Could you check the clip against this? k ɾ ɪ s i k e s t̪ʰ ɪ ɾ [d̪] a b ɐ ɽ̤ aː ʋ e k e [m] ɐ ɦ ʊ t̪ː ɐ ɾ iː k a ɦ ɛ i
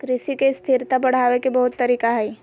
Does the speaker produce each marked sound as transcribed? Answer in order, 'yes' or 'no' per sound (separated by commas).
no, no